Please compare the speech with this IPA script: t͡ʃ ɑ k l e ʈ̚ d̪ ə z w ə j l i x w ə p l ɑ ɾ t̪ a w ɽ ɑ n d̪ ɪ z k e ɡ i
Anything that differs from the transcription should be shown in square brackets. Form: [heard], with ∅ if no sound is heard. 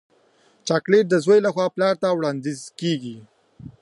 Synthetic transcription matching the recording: t͡ʃ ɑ k l e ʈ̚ d̪ ə z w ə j l [a] x w [ɑ] p l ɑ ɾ t̪ a w ɽ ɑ n d̪ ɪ z k e ɡ i

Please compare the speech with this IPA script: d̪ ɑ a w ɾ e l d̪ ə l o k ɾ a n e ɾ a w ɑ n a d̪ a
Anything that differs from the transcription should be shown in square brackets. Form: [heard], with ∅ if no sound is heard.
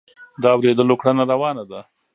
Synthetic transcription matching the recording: d̪ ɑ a w ɾ e [∅] d̪ ə l o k [ɽ] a n [a] ɾ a w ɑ n a d̪ a

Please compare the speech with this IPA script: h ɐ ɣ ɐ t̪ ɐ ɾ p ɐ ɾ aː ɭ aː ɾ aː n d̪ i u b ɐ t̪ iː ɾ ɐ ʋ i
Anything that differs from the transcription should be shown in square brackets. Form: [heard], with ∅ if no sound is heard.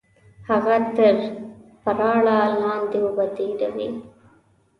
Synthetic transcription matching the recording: h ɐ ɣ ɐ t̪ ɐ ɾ p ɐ ɾ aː ɭ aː [l] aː n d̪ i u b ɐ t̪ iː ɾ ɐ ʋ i

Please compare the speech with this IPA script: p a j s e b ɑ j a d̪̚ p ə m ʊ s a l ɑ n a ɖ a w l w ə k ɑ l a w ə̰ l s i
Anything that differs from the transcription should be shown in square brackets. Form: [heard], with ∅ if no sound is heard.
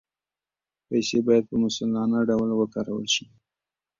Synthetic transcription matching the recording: p a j s e b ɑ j a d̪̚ p ə m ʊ s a l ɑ n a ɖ a w l w ə k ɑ [ɾ] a w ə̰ l [ʃ] i

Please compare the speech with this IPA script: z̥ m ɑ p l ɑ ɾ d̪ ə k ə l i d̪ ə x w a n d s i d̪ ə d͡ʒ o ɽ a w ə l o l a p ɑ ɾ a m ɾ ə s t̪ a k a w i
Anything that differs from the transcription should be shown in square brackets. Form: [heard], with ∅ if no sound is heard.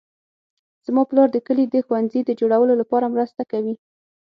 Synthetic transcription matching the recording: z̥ m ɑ p l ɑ ɾ d̪ ə k ə l i d̪ ə x w a n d [z] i d̪ ə d͡ʒ o ɽ a w ə l o l a p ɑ ɾ a m ɾ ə s t̪ a k a w i

